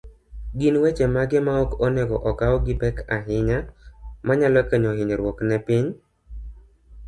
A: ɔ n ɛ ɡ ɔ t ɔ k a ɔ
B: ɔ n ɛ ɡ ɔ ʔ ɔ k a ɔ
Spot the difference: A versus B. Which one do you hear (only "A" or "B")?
B